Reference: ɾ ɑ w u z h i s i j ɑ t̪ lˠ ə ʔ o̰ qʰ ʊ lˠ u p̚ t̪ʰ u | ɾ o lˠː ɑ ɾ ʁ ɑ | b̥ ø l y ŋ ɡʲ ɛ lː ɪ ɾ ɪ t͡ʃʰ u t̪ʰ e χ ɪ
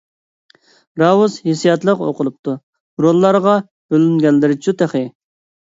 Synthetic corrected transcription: ɾ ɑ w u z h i s i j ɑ t̪ lˠ ə q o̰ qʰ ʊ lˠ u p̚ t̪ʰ u | ɾ o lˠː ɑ ɾ ʁ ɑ | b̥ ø l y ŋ ɡʲ ɛ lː ɪ ɾ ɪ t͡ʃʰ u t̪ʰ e χ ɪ